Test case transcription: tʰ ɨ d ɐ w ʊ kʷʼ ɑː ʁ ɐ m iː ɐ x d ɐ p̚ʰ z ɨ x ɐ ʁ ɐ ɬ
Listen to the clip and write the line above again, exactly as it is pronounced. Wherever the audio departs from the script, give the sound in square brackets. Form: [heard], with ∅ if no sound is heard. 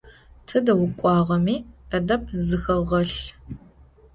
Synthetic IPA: tʰ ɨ d ɐ w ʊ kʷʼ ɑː ʁ ɐ m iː ɐ [∅] d ɐ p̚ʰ z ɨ x ɐ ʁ ɐ ɬ